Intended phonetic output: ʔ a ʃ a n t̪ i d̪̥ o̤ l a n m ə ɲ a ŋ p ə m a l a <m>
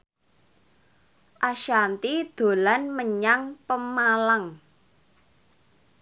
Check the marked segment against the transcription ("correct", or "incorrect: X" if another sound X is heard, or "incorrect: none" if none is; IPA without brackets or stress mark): incorrect: ŋ